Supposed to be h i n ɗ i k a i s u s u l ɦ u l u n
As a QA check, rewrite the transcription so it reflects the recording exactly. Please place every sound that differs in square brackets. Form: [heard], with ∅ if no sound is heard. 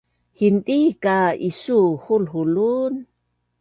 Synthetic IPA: h i n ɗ i k a i s u [h] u l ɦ u l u n